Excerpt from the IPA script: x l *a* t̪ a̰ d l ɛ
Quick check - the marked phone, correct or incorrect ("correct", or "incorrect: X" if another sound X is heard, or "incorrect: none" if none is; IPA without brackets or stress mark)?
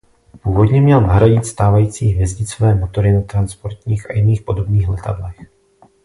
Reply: incorrect: ɛ